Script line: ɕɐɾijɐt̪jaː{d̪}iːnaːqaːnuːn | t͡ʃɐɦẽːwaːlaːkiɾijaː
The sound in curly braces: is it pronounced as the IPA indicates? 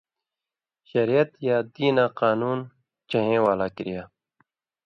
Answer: yes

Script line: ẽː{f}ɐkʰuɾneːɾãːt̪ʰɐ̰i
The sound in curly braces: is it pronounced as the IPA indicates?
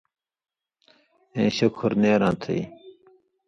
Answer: no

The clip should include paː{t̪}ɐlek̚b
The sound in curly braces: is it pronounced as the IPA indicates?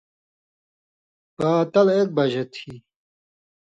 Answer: yes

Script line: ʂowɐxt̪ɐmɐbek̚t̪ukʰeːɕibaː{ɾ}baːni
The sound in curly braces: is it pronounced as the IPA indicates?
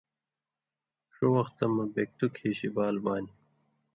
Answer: no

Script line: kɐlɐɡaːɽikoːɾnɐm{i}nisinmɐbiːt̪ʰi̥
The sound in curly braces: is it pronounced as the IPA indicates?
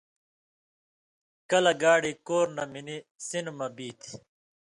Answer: yes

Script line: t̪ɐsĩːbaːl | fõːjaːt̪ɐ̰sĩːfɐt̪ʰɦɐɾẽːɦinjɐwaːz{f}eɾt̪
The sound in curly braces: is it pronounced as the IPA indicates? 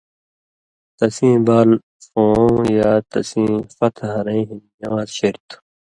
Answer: no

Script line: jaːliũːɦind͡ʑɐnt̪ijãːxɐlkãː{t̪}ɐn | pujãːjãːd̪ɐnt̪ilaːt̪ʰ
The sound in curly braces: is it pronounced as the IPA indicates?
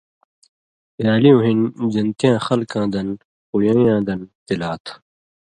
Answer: no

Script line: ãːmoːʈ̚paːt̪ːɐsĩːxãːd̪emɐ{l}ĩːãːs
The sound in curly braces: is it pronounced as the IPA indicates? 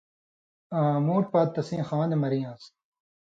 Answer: no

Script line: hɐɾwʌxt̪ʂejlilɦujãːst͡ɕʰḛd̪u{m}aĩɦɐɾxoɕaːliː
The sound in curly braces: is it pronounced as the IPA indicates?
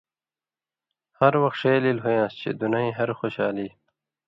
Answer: no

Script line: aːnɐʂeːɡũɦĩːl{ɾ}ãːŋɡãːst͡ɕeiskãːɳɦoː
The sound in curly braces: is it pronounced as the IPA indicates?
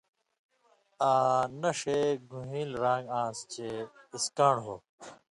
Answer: yes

